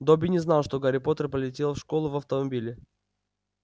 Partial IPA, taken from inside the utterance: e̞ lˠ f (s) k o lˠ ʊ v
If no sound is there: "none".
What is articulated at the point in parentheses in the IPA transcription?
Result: ʂ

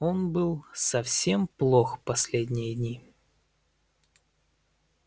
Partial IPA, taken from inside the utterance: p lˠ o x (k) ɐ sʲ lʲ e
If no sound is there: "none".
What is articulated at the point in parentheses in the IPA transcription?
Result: p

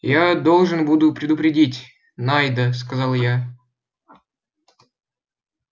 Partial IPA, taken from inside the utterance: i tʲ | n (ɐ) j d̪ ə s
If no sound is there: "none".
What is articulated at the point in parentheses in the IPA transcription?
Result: a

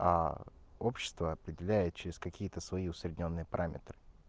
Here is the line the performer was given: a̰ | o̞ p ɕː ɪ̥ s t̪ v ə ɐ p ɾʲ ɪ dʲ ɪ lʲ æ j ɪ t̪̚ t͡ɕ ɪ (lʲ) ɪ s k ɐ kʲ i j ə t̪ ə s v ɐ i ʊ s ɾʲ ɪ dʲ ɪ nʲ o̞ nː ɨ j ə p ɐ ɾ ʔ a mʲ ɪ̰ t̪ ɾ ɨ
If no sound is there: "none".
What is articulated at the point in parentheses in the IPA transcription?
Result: ɾʲ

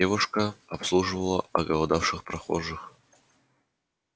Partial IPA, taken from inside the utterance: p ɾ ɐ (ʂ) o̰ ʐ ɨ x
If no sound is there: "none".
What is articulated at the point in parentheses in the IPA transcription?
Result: x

